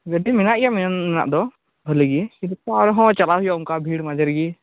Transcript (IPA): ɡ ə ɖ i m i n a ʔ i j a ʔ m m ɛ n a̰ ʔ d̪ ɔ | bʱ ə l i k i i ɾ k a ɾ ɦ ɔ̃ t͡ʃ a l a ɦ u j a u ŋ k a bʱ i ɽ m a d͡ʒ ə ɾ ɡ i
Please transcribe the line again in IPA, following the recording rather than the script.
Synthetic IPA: ɡ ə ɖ i m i n a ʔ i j a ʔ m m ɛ n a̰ ʔ d̪ ɔ | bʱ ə l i ɡ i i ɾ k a ɾ ɦ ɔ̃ t͡ʃ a l a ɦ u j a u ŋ k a bʱ i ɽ m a d͡ʒ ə ɾ ɡ i